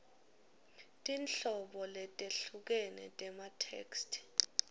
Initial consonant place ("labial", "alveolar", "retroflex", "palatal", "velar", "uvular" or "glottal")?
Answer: alveolar